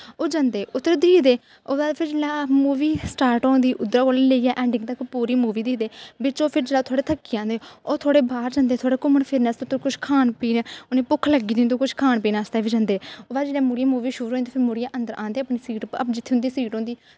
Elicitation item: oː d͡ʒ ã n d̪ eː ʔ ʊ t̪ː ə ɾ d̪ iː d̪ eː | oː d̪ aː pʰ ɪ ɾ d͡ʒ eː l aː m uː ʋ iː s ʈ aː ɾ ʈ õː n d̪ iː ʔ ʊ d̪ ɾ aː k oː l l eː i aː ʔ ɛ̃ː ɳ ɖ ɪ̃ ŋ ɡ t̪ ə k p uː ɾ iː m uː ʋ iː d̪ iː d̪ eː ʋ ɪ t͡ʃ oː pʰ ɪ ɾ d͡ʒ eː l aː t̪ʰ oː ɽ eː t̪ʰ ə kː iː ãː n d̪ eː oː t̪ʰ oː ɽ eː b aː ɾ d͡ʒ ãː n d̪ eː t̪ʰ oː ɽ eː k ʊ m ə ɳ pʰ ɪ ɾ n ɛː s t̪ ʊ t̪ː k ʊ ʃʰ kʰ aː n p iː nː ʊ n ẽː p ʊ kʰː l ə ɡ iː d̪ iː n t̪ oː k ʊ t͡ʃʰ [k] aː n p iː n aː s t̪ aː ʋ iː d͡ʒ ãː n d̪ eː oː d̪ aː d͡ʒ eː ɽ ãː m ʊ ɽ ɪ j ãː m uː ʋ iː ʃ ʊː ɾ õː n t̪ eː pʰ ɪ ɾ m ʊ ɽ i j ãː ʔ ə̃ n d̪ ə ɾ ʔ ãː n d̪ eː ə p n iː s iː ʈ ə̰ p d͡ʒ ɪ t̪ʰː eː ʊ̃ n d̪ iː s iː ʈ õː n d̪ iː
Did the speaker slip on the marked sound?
yes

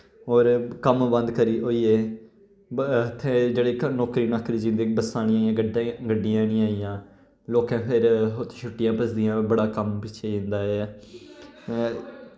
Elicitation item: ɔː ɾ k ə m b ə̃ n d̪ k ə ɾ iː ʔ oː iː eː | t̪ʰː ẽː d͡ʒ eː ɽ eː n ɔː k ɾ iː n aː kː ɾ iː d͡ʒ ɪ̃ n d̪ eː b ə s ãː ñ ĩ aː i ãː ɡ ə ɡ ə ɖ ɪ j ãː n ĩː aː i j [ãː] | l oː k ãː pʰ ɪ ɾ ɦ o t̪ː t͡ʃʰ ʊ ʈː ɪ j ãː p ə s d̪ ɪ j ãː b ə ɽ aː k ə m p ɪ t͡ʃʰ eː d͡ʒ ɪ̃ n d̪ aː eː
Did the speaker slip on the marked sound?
no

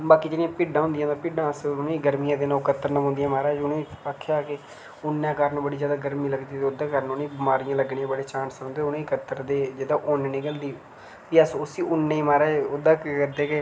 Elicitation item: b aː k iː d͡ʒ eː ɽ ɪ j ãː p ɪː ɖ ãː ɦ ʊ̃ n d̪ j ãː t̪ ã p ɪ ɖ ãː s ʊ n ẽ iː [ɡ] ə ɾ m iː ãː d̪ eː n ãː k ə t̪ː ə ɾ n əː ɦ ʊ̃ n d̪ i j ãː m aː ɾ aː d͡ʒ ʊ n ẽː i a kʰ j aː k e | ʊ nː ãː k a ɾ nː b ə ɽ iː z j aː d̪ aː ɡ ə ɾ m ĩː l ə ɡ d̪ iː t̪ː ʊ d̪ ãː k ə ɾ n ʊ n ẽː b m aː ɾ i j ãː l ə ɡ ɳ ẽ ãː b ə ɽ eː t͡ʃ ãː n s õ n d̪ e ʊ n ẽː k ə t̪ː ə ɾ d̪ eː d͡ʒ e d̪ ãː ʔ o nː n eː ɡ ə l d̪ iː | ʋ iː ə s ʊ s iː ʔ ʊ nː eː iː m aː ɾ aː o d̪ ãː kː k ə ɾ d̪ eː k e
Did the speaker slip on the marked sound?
no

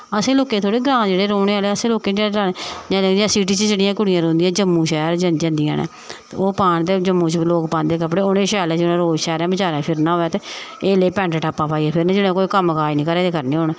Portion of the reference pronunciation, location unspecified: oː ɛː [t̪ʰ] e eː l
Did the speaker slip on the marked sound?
yes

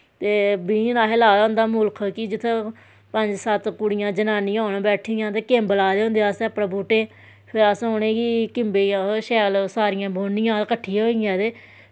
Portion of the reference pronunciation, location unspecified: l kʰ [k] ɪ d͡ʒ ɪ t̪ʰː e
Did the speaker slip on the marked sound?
no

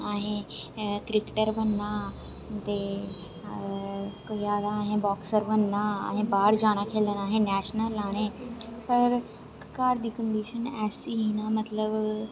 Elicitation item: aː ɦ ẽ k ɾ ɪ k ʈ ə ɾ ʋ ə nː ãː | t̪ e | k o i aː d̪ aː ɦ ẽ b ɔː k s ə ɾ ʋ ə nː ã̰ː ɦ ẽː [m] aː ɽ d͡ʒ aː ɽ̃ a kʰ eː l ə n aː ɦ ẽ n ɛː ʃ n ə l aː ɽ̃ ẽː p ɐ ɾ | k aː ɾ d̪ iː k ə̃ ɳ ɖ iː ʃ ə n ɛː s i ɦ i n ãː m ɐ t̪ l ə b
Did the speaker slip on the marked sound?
yes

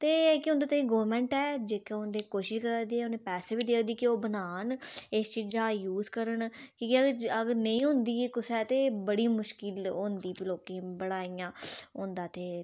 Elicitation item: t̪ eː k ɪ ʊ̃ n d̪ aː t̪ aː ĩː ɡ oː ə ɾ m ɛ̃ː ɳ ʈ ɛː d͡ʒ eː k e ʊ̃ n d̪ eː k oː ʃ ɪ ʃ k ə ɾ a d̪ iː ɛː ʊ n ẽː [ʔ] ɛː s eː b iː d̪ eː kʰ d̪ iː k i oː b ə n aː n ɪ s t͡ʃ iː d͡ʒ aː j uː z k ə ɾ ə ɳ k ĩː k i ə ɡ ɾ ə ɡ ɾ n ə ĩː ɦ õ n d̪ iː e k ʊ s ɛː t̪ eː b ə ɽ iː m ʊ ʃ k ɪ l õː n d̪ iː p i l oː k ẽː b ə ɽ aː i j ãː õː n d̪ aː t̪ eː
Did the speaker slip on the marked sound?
yes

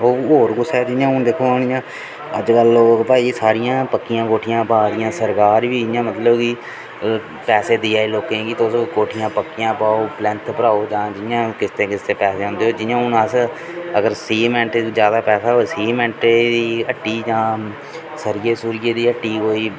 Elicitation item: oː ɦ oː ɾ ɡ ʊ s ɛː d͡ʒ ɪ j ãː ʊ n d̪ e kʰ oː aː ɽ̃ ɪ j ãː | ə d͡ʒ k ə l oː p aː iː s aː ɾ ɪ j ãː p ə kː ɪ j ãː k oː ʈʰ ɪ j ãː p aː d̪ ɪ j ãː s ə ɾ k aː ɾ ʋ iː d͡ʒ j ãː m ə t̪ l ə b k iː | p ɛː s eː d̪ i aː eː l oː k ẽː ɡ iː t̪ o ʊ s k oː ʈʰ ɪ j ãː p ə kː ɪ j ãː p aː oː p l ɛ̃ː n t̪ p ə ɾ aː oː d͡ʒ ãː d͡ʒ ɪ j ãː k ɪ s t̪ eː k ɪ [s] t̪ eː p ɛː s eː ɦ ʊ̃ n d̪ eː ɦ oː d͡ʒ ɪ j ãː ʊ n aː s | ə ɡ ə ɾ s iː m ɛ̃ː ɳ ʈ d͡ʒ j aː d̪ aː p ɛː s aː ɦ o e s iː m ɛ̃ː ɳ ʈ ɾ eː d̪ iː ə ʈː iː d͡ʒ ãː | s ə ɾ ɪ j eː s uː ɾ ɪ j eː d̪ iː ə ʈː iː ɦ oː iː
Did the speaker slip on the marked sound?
no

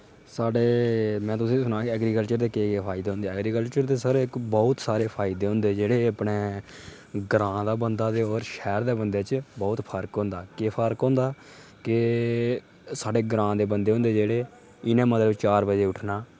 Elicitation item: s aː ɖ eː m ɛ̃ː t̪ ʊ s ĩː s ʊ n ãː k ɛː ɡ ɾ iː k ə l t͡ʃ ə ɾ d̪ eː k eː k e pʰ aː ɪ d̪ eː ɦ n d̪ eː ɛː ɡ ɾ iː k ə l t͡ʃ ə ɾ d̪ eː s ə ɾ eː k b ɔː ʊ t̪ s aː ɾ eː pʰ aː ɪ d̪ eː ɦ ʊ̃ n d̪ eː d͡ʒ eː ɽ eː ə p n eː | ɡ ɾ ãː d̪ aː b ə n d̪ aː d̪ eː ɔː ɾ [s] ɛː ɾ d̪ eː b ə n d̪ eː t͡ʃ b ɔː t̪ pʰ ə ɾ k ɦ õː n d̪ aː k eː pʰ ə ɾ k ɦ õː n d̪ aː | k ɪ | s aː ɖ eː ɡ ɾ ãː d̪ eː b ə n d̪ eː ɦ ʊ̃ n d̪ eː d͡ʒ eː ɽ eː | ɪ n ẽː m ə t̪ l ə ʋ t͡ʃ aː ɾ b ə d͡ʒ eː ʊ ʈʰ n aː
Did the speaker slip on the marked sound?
yes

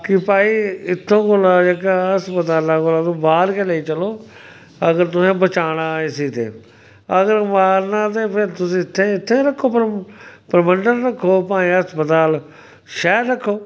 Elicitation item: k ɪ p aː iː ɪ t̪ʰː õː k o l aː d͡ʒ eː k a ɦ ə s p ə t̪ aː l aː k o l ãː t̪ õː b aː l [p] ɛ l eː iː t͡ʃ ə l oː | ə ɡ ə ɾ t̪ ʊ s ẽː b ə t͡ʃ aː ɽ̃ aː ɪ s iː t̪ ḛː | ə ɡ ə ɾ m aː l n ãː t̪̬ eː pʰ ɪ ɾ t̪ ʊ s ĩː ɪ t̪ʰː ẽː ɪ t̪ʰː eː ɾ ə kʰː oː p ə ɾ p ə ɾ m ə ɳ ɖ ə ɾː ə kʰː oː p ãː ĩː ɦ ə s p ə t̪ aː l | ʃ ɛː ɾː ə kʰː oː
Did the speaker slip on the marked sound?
yes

